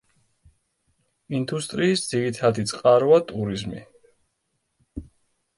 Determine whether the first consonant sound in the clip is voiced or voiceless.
voiced